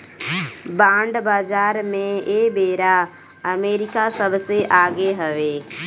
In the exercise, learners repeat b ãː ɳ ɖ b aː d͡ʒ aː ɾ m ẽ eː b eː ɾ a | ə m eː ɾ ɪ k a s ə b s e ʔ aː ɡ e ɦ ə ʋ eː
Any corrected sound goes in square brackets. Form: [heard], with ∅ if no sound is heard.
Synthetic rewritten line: b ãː ɳ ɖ b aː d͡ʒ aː ɾ m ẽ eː b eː ɾ a | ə m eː ɾ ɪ k a s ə b s e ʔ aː ɡ e ɦ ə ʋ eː